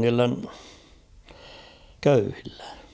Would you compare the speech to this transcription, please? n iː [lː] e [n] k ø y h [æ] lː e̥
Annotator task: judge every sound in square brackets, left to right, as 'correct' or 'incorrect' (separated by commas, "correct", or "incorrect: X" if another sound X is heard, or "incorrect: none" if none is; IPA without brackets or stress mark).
correct, correct, incorrect: i